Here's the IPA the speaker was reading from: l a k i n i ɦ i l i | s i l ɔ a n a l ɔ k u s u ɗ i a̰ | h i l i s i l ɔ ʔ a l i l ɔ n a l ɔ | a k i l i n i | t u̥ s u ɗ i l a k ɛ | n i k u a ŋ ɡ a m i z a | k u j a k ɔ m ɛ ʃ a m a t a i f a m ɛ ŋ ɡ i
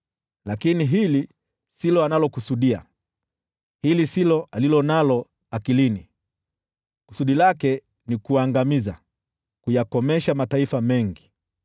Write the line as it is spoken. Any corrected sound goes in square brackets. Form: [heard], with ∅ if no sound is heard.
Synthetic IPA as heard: l a k i n i ɦ i l i | s i l ɔ a n a l ɔ k u s u ɗ i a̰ | h i l i s i l ɔ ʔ a l i l ɔ n a l ɔ | a k i l i n i | [k] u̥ s u ɗ i l a k ɛ | n i k u a ŋ ɡ a m i z a | k u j a k ɔ m ɛ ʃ a m a t a i f a m ɛ ŋ ɡ i